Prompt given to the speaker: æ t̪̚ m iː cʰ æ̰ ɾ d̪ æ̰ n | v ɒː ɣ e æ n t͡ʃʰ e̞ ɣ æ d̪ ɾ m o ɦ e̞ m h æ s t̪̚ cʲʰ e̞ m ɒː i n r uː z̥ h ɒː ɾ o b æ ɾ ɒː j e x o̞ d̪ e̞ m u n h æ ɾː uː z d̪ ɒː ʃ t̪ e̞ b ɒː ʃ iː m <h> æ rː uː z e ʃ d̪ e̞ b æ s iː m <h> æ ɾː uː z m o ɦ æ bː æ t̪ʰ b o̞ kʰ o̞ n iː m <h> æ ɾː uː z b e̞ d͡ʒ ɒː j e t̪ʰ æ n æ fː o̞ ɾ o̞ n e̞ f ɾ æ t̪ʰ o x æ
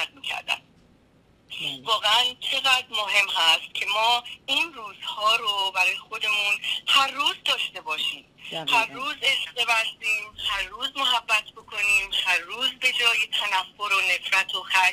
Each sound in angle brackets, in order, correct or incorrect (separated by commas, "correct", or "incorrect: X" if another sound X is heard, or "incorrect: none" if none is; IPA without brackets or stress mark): correct, correct, correct